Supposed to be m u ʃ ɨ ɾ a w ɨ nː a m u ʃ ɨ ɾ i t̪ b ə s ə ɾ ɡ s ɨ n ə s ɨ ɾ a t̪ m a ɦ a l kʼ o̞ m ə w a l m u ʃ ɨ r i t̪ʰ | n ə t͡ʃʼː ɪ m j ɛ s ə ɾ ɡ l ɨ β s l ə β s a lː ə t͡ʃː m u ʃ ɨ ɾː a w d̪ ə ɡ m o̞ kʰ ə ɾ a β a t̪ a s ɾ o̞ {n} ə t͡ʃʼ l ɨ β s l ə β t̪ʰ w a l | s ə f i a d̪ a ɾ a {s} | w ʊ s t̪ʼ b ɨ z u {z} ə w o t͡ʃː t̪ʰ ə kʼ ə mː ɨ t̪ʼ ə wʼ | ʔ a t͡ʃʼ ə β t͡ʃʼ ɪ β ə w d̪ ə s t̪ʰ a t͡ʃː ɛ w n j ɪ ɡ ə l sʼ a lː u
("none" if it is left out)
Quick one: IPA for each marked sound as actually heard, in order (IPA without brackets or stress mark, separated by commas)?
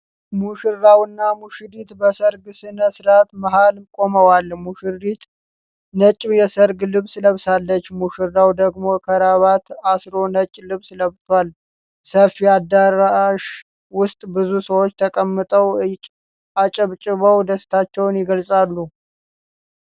n, ʃ, s